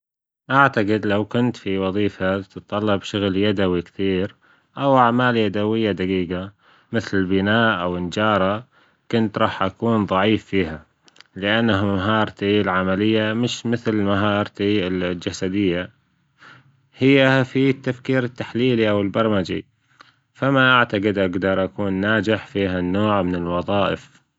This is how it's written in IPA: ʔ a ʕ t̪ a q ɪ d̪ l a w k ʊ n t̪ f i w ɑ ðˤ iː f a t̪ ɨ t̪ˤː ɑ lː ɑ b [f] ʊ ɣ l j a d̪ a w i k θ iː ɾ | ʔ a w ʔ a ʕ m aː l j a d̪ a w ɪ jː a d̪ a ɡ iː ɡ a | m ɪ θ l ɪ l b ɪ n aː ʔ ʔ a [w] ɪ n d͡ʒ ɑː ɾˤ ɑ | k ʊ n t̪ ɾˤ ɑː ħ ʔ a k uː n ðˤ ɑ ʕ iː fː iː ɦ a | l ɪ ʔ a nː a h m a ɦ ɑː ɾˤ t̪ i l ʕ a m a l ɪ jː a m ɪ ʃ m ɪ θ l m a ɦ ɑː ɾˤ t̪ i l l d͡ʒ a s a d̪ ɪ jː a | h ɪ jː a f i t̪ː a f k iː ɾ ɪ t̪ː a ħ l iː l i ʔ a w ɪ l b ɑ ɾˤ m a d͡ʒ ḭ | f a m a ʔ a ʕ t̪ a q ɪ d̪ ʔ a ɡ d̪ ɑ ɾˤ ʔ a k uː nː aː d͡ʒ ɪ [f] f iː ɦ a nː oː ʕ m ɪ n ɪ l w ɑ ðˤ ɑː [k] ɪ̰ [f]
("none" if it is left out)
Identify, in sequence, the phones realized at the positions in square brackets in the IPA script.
ʃ, w, ħ, ʔ, f

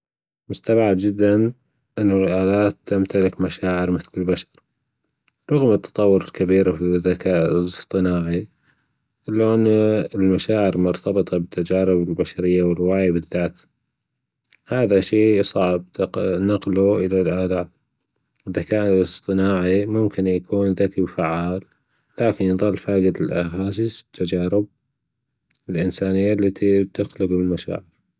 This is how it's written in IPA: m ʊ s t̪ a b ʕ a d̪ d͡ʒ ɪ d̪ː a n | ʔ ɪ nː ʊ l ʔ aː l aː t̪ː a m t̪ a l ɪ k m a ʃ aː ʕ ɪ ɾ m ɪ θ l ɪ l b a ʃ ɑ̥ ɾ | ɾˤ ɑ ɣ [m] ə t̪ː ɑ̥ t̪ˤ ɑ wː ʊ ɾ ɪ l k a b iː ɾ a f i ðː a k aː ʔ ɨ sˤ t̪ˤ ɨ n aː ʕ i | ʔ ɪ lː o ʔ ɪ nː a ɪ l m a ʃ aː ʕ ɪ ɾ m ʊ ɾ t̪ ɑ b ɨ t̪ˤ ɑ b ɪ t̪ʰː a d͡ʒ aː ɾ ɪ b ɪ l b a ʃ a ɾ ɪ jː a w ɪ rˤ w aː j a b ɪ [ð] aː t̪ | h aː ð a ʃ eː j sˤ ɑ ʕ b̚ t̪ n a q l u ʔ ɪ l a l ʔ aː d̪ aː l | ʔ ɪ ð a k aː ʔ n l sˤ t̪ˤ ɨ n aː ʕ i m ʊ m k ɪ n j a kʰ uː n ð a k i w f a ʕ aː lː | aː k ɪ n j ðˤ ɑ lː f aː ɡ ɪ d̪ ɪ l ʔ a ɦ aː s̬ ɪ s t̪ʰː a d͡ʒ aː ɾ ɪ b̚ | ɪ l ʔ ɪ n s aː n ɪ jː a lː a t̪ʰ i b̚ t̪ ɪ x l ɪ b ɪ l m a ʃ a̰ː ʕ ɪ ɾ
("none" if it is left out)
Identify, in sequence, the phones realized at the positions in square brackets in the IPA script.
m, ðː

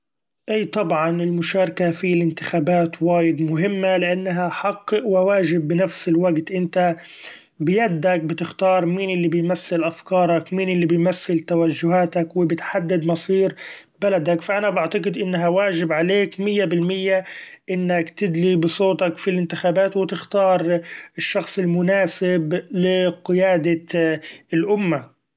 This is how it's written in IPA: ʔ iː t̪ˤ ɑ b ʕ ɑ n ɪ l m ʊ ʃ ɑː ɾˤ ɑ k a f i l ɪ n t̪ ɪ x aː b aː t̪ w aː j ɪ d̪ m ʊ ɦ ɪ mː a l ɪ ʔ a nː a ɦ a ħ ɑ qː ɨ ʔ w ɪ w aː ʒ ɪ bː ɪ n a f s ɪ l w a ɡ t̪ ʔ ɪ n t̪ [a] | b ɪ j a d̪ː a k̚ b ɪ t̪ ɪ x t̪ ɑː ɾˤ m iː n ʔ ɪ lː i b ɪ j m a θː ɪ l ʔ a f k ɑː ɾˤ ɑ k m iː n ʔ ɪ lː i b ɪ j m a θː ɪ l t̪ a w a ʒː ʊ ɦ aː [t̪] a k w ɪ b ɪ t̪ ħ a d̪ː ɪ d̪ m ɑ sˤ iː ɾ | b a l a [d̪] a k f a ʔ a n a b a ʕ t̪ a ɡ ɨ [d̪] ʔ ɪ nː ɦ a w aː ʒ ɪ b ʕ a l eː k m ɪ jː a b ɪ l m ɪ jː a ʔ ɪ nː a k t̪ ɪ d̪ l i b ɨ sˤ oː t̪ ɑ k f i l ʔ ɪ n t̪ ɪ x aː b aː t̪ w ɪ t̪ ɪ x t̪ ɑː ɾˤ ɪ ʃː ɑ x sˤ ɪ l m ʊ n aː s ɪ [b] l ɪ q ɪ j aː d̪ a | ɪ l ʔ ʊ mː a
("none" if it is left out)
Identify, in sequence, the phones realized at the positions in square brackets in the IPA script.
a, t̪, d̪, d̪, b

